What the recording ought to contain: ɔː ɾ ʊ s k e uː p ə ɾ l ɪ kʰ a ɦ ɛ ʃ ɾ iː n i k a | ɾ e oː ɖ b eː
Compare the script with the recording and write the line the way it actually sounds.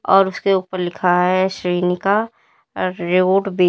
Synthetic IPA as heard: ɔː ɾ ʊ s k e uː p ə ɾ l ɪ kʰ a ɦ ɛ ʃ ɾ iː n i k a | ɾ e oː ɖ b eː